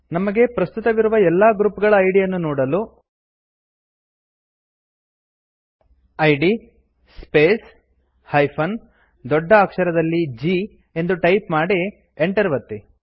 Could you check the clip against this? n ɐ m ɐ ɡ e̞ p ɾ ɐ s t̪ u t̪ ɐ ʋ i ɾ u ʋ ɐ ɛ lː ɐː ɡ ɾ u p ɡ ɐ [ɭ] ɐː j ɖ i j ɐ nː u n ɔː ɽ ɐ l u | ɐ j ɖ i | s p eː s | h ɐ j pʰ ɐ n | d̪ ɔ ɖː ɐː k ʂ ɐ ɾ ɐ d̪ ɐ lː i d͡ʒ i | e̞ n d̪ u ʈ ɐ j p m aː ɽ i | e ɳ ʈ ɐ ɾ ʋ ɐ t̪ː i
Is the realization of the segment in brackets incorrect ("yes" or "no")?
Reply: no